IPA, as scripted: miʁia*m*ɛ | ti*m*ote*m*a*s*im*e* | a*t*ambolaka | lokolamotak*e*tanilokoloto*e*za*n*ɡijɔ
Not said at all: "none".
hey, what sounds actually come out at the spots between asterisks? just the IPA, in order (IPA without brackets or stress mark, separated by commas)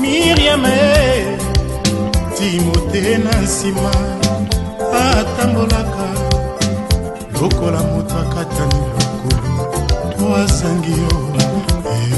m, m, n, s, a, t, a, a, ŋ